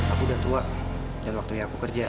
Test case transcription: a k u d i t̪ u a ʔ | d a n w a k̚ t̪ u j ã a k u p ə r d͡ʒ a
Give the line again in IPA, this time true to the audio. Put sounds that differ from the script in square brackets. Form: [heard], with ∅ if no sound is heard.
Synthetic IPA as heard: a k u d [a] t̪ u a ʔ | d a n w a k̚ t̪ u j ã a k u [k] ə r d͡ʒ a